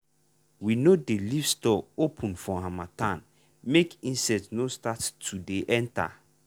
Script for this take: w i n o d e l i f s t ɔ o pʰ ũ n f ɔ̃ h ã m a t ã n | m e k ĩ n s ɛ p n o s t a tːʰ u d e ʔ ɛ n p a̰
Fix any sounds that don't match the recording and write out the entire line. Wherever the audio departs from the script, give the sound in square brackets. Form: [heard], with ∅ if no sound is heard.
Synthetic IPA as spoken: w i n o d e l i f s t ɔ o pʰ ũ n f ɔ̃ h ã m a t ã n | m e k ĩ n s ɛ [t] n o s t a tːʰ u d e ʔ ɛ n [t] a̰